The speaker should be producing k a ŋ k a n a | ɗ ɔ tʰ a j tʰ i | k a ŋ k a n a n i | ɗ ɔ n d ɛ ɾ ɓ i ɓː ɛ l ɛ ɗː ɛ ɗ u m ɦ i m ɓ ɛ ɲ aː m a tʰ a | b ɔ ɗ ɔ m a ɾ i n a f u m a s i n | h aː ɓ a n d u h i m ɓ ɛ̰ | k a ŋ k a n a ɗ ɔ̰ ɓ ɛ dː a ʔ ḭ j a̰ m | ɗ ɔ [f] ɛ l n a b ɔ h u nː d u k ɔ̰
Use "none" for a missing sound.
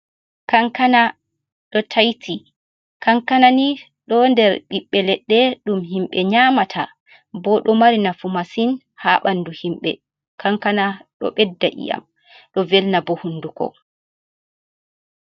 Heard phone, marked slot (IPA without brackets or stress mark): v